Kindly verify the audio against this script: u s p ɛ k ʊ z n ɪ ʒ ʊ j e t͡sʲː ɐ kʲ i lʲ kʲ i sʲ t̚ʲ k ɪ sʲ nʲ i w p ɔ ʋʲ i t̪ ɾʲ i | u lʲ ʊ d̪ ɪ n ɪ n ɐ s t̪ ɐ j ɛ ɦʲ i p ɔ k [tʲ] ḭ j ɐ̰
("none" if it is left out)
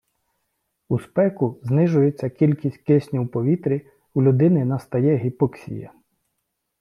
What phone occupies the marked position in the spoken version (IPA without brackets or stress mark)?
sʲ